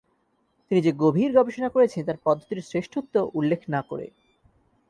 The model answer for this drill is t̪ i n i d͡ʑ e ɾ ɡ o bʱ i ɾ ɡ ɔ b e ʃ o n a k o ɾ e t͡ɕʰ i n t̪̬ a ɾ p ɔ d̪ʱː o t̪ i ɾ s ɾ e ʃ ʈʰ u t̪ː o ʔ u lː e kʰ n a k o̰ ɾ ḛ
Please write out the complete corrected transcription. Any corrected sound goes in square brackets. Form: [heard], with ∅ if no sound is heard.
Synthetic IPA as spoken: t̪ i n i d͡ʑ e [∅] ɡ o bʱ i ɾ ɡ ɔ b e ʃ o n a k o ɾ e t͡ɕʰ [e] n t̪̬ a ɾ p ɔ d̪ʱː o t̪ i ɾ s ɾ e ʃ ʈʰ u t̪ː o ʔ u lː e kʰ n a k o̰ ɾ ḛ